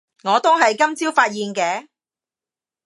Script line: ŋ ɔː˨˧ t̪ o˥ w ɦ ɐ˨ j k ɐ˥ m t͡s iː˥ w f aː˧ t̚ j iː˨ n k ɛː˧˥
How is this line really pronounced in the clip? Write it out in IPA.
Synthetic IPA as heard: ŋ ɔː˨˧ t̪ o˥ w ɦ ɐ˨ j k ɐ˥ m t͡s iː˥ w f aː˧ t̚ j iː˨ n k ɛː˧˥